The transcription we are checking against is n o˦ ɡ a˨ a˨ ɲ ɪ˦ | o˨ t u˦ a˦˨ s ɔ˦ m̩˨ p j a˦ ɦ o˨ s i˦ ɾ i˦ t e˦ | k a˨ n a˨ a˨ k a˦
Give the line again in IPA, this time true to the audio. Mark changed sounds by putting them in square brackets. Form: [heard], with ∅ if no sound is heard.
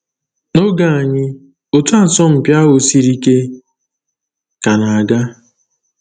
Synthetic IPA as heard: n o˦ ɡ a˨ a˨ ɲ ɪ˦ | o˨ t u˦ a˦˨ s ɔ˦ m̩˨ p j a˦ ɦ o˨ s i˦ ɾ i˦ [k] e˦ | k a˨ n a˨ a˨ [ɡ] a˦